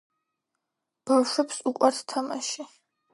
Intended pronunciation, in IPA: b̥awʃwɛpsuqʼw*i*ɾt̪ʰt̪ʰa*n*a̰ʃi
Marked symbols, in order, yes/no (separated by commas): no, no